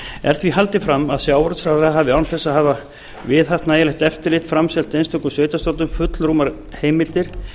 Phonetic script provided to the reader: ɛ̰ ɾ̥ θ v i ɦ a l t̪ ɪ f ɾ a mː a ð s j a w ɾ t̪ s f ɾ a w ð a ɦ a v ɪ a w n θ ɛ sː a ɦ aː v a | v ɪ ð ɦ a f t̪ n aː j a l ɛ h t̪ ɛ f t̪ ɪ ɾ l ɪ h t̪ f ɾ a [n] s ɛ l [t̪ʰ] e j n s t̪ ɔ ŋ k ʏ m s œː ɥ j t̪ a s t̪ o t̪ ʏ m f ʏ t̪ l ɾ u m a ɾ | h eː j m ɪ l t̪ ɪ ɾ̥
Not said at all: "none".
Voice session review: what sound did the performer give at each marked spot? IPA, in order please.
m, t̪

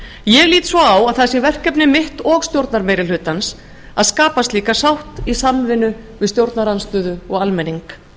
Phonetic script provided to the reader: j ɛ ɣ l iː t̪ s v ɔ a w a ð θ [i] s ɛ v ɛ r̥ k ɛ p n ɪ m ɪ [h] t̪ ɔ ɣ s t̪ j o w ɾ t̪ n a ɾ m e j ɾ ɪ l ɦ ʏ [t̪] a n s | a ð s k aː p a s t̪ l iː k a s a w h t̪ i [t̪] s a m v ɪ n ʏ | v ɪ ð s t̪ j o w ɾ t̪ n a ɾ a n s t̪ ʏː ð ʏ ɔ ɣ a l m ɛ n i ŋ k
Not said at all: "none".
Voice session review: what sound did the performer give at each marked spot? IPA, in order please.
a, h, t̪, none

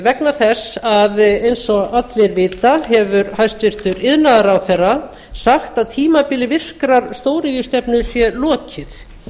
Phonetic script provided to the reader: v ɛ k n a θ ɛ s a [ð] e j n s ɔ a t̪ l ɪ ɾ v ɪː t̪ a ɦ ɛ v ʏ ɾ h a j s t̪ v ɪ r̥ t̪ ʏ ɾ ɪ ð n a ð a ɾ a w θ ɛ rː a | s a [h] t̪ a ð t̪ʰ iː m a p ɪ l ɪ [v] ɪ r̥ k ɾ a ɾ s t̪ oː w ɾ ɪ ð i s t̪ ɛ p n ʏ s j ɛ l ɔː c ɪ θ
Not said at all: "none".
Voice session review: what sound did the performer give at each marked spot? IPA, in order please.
ð, x, v

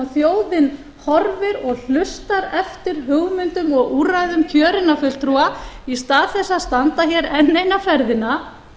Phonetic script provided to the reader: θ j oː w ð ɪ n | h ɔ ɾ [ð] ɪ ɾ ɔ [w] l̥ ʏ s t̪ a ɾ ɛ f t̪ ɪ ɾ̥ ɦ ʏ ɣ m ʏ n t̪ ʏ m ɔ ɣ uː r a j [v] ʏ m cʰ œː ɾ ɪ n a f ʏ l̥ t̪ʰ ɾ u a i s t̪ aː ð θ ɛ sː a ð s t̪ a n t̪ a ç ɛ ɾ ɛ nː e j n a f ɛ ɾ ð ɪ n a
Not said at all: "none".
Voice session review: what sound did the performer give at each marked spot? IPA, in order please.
v, ɣ, ð

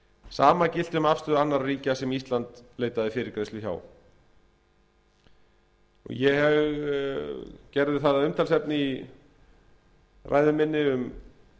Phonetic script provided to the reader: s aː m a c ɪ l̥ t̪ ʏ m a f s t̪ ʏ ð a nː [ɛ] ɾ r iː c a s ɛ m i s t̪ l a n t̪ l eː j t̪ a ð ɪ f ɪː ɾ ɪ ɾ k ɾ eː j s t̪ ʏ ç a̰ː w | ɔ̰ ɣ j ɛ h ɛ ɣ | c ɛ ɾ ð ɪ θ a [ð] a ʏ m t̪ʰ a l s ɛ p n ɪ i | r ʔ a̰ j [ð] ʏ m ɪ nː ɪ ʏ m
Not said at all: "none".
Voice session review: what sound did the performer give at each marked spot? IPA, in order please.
a, ð, ð

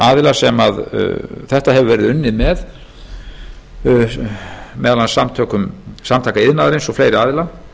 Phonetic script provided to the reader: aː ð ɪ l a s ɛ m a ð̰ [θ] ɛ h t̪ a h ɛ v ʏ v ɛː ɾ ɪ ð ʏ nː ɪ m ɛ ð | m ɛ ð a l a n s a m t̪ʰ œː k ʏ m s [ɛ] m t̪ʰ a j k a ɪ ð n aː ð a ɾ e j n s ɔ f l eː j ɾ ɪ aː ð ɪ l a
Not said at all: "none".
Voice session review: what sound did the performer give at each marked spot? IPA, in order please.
θ, a

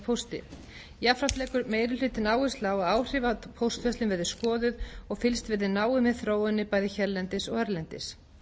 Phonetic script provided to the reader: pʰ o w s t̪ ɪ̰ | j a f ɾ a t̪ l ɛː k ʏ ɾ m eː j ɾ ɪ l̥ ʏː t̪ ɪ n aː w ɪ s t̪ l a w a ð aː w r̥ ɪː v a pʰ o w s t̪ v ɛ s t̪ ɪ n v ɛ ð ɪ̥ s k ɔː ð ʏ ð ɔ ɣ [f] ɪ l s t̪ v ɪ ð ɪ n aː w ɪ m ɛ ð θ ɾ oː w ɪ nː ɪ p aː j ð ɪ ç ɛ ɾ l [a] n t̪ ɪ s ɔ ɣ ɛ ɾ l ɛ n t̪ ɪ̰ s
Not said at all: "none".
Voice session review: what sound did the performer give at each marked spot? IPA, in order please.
f, ɛ

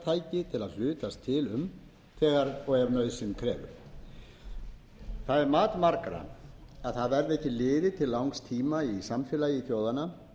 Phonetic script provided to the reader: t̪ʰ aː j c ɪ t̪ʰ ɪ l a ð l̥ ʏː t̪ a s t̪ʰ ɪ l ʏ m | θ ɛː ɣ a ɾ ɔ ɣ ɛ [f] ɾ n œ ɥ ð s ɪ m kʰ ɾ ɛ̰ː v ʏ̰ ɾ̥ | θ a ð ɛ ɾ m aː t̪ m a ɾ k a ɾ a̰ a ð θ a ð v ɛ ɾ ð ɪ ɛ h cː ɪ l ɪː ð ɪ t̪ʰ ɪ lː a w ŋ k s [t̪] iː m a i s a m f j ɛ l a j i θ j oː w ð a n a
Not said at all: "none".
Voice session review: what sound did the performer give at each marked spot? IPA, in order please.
none, t̪ʰ

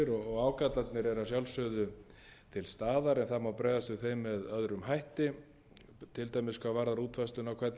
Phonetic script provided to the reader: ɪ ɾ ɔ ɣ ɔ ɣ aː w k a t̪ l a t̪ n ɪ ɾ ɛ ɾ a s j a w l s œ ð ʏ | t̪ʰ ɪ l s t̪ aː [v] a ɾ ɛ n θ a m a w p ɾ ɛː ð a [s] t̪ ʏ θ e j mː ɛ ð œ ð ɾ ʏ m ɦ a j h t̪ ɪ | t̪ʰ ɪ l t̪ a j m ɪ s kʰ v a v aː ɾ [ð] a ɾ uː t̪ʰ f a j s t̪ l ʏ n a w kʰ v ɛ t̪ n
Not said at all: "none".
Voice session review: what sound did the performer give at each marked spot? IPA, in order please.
ð, s, ð

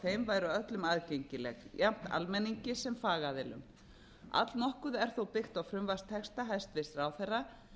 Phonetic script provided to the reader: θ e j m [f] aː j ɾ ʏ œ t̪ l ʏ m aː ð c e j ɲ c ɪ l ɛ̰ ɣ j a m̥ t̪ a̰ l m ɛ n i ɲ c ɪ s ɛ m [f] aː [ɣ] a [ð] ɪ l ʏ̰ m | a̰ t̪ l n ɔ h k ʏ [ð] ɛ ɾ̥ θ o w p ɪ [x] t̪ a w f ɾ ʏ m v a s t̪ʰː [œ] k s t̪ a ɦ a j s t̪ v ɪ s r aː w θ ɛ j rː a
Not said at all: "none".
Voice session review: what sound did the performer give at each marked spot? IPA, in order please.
v, f, ɣ, ð, ð, x, ɛ

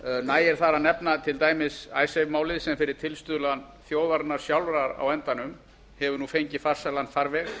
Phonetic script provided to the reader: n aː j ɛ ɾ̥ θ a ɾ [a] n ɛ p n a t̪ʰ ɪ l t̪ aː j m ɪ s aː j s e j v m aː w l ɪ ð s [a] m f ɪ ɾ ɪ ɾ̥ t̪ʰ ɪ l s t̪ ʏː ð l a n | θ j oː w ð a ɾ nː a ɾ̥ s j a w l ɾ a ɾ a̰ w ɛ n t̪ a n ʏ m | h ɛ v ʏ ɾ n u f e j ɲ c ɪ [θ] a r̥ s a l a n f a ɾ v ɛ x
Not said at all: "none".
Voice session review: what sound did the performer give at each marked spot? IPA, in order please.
a, ɛ, f

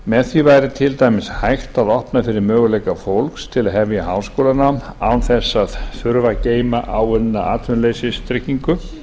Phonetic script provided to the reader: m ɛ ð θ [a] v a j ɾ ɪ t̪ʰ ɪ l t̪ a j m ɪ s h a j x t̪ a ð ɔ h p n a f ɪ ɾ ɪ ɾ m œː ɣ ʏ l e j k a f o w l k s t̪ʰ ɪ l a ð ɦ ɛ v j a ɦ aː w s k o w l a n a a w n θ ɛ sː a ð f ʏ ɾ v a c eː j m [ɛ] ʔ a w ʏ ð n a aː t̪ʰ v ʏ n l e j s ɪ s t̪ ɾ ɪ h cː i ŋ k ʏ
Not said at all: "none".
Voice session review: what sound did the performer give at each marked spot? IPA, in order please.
i, a

